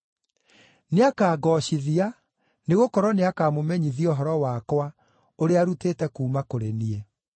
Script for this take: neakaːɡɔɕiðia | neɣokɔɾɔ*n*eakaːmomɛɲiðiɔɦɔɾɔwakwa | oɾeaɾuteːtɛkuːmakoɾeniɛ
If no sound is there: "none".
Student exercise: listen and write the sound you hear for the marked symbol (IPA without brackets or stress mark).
n